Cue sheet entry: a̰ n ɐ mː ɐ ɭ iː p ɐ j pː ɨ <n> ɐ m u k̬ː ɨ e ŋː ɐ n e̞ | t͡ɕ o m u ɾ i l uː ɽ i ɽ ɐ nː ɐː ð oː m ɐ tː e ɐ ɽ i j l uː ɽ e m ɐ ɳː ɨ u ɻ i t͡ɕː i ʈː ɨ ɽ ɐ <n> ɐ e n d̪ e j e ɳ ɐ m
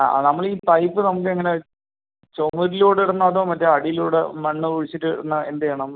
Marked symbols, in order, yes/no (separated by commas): yes, no